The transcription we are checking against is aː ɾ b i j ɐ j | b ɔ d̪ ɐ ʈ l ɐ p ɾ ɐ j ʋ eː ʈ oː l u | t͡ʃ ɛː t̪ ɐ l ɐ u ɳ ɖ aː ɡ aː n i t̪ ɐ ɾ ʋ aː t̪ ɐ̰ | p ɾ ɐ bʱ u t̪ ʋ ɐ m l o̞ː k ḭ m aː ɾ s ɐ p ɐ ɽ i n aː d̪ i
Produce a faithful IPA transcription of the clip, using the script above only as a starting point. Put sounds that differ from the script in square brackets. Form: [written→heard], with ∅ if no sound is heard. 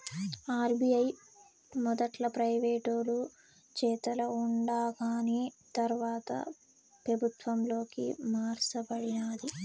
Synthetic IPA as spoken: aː ɾ b i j ɐ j | [b→m] ɔ d̪ ɐ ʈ l ɐ p ɾ ɐ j ʋ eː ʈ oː l u | t͡ʃ ɛː t̪ ɐ l ɐ u ɳ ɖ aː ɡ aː n i t̪ ɐ ɾ ʋ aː t̪ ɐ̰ | p ɾ ɐ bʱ u t̪ ʋ ɐ m l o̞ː k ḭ m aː ɾ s ɐ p ɐ ɽ i n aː d̪ i

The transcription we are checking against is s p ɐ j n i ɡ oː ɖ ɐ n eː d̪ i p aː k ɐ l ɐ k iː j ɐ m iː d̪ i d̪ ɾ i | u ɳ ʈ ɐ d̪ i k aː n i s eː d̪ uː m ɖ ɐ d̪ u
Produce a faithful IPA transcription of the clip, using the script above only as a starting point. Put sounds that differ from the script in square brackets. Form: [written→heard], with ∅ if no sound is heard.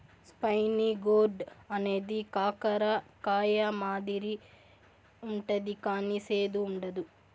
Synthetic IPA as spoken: s p ɐ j n i ɡ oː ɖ ɐ n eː d̪ i [p→k] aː k ɐ [l→ɾ] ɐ k [iː→aː] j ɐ m [iː→aː] d̪ i [d̪→∅] ɾ i | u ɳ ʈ ɐ d̪ i k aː n i s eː d̪ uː [m→ɳ] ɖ ɐ d̪ u

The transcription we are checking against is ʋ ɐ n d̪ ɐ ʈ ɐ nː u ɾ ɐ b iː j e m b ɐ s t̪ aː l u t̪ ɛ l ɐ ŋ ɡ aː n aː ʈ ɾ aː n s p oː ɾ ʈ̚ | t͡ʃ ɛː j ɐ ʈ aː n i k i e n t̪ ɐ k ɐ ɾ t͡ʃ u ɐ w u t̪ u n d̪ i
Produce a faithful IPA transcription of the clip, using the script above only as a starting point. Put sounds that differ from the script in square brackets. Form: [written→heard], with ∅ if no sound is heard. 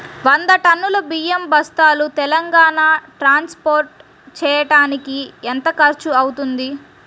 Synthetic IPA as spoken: ʋ ɐ n d̪ ɐ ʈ ɐ nː u [ɾ→l] ɐ b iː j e m b ɐ s t̪ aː l u t̪ ɛ l ɐ ŋ ɡ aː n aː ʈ ɾ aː n s p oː ɾ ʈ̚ | t͡ʃ ɛː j ɐ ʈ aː n i k i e n t̪ ɐ k ɐ ɾ t͡ʃ u ɐ w u t̪ u n d̪ i

